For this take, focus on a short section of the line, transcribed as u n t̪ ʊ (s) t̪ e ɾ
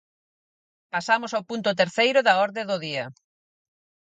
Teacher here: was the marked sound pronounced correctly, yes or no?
no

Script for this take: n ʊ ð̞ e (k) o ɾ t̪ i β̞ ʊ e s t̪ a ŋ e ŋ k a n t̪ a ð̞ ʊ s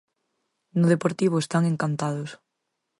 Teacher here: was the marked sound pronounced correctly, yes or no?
no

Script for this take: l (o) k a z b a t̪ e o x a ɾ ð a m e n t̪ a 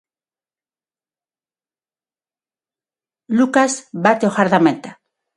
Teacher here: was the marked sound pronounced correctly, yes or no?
no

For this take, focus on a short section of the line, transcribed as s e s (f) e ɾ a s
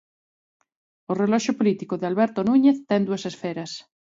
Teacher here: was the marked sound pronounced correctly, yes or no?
yes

